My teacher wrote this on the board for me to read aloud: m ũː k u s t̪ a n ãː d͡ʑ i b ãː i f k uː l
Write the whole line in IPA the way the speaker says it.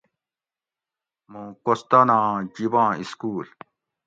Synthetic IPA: m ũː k o s t̪ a n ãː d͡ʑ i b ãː i s k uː l

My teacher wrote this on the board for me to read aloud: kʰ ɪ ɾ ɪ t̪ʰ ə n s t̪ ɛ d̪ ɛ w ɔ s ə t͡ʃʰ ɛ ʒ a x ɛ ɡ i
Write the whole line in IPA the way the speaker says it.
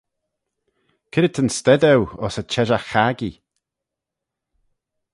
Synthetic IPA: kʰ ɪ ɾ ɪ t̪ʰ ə n s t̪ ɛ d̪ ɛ w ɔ s ə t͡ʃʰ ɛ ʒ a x a ɡ i

